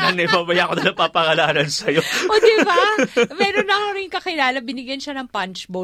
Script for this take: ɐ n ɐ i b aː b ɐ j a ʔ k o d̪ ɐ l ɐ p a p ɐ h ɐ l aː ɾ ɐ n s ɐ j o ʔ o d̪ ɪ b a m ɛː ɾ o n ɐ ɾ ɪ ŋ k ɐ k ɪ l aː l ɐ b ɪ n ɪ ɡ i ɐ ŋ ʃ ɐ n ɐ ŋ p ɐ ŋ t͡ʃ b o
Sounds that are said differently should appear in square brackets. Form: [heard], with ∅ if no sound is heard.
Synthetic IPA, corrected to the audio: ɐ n ɐ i b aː b ɐ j a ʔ k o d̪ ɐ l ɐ p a p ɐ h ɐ l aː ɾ ɐ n s ɐ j o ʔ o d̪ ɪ b a m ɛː ɾ o n ɐ ɾ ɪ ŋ k ɐ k ɪ l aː l ɐ b ɪ n ɪ ɡ [j] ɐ [n] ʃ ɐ n ɐ ŋ p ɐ [n] t͡ʃ b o